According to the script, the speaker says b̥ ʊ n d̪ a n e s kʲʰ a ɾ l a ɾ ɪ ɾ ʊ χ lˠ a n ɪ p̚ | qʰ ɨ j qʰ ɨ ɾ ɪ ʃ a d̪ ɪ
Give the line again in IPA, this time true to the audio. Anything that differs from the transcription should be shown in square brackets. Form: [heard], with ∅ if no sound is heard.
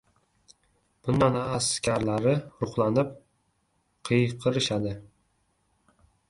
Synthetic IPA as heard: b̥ ʊ n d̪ a n [a] s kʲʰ a ɾ l a ɾ ɪ ɾ ʊ χ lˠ a n ɪ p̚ | qʰ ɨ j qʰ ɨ ɾ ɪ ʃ a d̪ ɪ